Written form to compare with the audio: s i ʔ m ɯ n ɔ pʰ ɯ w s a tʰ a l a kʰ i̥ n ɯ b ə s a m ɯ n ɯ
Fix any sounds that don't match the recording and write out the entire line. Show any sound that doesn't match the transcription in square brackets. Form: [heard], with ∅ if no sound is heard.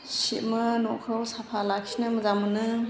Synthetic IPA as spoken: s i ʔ m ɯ n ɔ [kʰ] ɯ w s a [pʰ] a l a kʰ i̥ n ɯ [m] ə [z] a m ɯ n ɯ